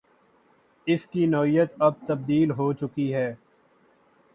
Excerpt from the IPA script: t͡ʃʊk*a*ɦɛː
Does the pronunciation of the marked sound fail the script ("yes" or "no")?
yes